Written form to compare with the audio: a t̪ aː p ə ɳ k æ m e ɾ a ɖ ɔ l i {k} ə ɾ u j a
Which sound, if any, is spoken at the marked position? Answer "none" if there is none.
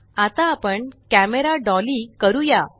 k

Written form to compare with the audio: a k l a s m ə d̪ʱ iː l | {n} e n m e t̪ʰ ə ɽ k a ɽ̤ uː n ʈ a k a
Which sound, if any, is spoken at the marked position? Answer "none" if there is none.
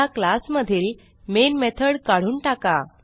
m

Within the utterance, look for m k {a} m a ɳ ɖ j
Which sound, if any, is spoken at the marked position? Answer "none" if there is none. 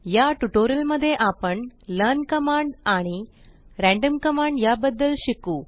ə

